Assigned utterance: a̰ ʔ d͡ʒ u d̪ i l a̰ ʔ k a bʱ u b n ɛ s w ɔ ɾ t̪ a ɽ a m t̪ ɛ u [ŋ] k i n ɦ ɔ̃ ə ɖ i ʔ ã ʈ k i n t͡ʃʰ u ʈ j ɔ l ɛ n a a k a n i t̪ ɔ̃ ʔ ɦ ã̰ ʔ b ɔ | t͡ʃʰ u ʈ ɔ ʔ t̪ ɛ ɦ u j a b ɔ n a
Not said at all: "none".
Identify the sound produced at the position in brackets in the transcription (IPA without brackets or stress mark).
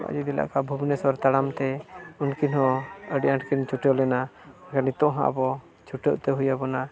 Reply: n